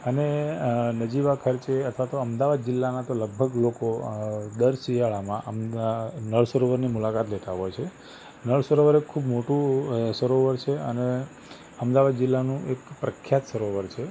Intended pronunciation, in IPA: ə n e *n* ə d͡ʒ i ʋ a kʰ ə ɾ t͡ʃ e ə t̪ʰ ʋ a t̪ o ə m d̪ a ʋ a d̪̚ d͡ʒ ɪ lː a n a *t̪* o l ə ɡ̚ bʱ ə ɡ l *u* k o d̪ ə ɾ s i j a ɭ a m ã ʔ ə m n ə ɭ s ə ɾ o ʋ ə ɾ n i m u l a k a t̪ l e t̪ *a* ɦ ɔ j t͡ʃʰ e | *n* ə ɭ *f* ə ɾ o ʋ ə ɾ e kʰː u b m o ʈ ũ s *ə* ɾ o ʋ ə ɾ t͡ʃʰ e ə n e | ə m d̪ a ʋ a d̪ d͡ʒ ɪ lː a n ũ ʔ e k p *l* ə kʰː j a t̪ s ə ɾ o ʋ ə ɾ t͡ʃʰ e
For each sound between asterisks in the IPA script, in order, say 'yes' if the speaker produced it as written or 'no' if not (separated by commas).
yes, yes, no, yes, yes, no, yes, no